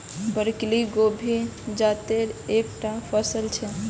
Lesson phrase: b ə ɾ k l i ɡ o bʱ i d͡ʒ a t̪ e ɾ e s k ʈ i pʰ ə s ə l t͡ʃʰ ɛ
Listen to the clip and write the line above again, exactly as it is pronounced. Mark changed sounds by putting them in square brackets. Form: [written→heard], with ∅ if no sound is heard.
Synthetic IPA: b ə ɾ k l i ɡ o bʱ i d͡ʒ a t̪ e ɾ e [s→∅] k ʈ [i→a] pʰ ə s ə l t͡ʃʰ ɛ